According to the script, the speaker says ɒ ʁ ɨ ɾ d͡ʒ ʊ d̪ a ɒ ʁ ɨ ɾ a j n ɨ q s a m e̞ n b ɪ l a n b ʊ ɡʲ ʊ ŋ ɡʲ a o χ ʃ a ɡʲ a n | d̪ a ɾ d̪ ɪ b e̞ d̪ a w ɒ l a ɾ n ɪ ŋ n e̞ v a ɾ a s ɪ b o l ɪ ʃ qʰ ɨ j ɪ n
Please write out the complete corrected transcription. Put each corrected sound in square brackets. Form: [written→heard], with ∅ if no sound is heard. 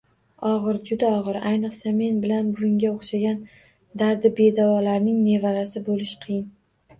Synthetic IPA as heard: ɒ ʁ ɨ ɾ d͡ʒ ʊ d̪ a ɒ ʁ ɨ ɾ a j n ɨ q s a m e̞ n b ɪ l a n b ʊ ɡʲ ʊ ŋ ɡʲ a o χ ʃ a ɡʲ a n | d̪ a ɾ d̪ ɪ b e̞ d̪ a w ɒ l a ɾ n ɪ ŋ n e̞ v a ɾ a s ɪ b o l ɪ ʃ qʰ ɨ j ɪ n

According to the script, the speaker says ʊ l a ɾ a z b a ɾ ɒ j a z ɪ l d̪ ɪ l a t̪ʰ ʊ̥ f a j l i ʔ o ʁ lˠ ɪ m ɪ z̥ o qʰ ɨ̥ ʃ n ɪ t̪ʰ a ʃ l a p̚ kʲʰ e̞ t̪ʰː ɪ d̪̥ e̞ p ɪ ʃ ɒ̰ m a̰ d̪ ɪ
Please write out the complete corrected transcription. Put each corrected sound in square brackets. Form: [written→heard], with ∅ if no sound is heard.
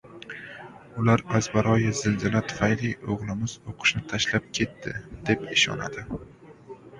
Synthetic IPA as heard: ʊ l a ɾ a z b a ɾ ɒ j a z ɪ l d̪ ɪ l a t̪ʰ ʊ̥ f a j l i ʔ o ʁ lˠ ɪ m ɪ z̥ o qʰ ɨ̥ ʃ n ɪ t̪ʰ a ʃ l a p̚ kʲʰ e̞ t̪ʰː ɪ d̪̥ e̞ p ɪ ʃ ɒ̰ [m→n] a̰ d̪ ɪ

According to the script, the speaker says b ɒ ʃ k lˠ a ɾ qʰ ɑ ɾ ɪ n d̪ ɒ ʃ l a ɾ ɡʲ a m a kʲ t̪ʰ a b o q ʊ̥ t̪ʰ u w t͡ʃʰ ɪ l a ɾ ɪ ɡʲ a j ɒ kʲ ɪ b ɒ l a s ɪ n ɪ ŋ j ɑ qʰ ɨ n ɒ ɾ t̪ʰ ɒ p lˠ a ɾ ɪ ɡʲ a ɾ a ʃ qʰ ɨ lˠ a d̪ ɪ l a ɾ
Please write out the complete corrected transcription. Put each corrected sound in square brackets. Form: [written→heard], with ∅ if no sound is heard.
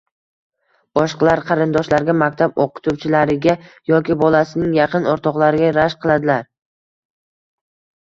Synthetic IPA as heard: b ɒ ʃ [k→q] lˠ a ɾ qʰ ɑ ɾ ɪ n d̪ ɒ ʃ l a ɾ ɡʲ a m a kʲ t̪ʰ a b o q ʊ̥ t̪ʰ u w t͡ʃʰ ɪ l a ɾ ɪ ɡʲ a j ɒ kʲ ɪ b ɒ l a s ɪ n ɪ ŋ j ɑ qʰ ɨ n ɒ ɾ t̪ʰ ɒ [p→q] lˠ a ɾ ɪ ɡʲ a ɾ a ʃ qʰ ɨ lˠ a d̪ ɪ l a ɾ

